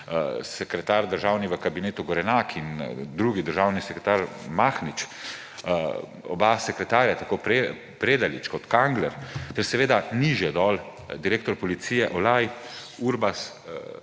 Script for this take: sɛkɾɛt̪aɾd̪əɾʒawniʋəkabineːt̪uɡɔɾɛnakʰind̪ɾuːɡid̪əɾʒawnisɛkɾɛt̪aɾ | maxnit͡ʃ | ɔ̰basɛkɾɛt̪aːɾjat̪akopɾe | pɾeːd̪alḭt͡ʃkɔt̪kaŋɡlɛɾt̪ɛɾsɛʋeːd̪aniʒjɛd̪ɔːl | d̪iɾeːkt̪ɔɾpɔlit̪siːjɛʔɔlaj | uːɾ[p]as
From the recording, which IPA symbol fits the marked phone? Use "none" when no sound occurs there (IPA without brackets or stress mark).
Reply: b